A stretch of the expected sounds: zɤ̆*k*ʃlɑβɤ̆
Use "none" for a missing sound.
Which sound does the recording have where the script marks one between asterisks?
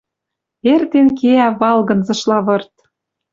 none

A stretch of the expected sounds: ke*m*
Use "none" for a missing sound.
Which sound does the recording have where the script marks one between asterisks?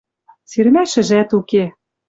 none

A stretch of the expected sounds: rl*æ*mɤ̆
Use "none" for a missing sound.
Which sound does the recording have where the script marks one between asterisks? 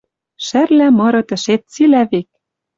æ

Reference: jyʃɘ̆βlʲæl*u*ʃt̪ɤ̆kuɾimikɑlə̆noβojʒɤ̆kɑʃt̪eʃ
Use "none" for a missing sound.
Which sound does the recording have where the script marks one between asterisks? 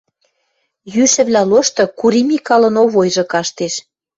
o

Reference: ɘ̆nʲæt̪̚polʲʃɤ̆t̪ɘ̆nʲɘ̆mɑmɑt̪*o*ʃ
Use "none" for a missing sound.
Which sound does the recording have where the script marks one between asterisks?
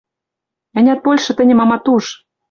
u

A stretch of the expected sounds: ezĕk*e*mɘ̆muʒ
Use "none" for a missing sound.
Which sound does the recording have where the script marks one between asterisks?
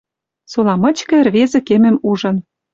e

